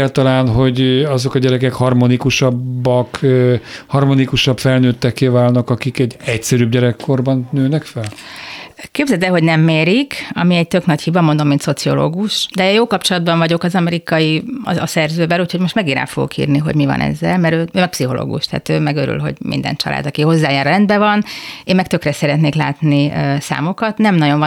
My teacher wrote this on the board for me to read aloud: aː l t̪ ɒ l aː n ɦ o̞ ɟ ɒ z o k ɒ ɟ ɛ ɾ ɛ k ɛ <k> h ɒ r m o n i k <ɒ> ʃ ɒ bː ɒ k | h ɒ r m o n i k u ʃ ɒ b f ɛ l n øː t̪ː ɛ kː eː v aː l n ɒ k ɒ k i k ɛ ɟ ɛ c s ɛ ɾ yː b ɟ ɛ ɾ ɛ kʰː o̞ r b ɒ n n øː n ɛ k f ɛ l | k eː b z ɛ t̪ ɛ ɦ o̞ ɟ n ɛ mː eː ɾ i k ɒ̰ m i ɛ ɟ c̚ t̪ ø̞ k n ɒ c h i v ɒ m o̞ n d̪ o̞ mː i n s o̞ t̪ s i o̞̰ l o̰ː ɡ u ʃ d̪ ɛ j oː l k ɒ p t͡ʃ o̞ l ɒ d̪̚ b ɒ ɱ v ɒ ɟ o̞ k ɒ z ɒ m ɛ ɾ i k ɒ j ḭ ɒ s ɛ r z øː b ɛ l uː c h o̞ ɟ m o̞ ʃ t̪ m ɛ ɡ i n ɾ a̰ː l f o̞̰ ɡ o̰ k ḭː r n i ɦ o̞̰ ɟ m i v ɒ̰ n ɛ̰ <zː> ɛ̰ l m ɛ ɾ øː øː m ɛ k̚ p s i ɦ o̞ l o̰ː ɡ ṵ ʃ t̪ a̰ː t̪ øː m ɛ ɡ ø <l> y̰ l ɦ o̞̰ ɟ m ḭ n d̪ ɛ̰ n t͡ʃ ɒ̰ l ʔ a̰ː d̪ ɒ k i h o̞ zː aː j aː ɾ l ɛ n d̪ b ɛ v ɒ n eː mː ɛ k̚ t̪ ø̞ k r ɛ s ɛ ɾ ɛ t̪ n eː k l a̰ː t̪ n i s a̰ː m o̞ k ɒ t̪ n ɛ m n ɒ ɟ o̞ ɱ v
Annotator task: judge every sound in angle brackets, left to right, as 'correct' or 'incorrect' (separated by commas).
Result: correct, incorrect, correct, incorrect